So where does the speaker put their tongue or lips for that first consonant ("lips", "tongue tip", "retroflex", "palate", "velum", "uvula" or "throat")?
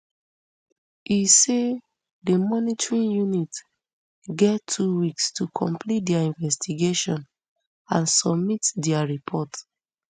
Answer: tongue tip